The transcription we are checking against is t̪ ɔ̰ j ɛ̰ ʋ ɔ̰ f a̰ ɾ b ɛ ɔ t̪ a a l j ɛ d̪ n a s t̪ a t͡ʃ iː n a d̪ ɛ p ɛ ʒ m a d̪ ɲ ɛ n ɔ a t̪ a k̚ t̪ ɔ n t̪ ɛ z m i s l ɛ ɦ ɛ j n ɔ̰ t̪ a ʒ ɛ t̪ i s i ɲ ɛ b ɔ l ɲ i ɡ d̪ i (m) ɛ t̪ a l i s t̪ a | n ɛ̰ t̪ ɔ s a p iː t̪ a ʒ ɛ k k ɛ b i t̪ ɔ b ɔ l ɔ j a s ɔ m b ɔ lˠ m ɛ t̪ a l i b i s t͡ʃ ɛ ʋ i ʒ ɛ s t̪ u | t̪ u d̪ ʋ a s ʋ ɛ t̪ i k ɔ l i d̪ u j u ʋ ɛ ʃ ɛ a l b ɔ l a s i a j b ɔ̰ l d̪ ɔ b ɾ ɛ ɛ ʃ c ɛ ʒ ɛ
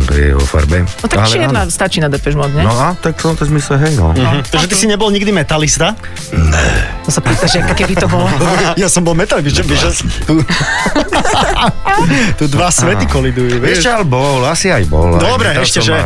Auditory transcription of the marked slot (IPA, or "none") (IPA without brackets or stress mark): m